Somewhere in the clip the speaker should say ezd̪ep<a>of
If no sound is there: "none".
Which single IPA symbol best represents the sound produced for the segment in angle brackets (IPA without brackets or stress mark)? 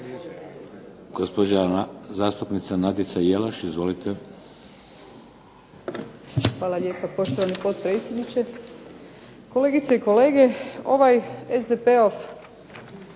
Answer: e